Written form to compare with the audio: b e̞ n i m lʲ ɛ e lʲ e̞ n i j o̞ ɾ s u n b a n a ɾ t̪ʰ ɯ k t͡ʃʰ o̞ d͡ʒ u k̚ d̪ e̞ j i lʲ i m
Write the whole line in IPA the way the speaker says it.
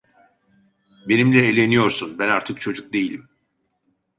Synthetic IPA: b e̞ n i m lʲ ɛ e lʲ e̞ n i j o̞ ɾ s u n b æ n a ɾ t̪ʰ ɯ k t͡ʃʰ o̞ d͡ʒ u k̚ d̪ e̞ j i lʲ i m